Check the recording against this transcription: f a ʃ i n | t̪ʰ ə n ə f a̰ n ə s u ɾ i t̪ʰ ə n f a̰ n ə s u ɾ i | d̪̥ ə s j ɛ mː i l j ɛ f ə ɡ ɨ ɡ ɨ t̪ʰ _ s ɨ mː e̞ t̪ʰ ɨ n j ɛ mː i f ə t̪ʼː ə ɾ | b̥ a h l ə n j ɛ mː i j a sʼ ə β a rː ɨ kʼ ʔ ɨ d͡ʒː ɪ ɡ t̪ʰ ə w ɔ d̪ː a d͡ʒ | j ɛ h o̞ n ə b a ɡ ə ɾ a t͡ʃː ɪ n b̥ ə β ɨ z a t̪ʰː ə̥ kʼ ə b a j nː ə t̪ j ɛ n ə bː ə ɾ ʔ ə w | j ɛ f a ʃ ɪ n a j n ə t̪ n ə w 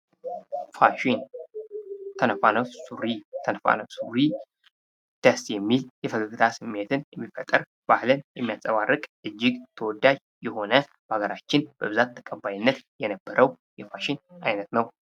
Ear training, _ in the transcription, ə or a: a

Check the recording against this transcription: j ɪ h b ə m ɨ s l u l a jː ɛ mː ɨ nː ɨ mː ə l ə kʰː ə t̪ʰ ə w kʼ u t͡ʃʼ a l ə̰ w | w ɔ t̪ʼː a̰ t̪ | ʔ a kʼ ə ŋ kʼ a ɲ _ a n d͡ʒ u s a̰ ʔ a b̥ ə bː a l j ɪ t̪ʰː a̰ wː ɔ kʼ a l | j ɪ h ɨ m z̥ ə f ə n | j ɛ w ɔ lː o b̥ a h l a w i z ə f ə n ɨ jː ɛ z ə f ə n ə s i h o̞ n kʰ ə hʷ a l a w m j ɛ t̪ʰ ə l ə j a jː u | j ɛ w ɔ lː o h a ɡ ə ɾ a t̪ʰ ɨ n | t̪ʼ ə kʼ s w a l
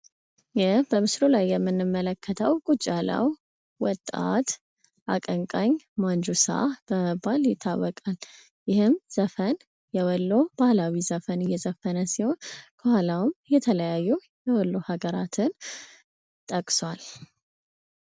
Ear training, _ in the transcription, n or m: m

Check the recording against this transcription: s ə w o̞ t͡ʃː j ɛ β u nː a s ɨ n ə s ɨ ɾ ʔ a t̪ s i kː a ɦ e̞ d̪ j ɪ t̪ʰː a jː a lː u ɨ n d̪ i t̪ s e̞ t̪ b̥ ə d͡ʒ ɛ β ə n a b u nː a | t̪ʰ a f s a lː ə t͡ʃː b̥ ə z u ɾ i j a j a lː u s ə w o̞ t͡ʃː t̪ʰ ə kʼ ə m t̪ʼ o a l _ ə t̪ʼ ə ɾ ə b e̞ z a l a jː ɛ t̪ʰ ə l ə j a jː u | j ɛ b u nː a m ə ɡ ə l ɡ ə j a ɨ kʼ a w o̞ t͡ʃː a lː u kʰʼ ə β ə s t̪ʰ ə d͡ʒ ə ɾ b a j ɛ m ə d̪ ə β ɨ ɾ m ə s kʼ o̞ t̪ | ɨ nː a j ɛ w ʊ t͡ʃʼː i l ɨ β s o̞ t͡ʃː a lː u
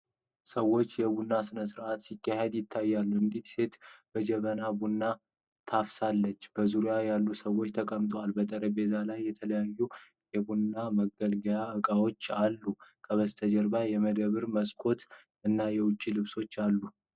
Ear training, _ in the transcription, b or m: b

